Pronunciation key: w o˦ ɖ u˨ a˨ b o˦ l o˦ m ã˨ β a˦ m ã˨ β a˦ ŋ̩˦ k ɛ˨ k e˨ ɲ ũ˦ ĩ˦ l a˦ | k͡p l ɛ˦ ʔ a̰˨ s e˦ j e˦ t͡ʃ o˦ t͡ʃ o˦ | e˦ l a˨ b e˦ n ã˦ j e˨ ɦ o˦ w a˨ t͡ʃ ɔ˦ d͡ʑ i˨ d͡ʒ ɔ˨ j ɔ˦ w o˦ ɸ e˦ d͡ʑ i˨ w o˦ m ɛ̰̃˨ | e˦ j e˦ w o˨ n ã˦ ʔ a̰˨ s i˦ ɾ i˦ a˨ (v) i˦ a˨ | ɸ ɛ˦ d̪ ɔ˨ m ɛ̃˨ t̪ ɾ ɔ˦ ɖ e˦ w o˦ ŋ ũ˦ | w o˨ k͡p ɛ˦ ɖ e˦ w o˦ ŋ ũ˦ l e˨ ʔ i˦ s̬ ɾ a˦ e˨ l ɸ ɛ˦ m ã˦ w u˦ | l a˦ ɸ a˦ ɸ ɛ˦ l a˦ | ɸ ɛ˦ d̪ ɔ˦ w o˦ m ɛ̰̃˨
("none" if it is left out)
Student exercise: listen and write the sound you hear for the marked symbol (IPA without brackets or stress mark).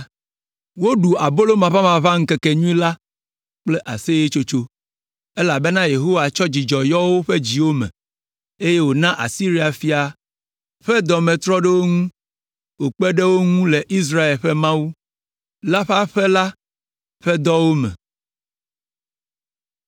f